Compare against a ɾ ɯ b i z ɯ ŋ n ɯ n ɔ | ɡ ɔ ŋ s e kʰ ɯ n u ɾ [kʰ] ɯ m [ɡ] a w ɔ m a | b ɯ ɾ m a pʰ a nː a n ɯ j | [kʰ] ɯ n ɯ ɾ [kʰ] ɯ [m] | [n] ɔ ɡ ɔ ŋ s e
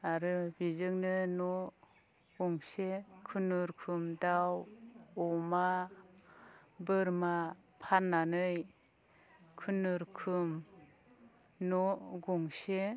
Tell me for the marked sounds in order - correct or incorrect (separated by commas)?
correct, incorrect, correct, correct, correct, correct